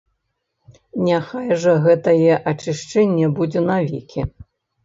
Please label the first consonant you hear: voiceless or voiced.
voiced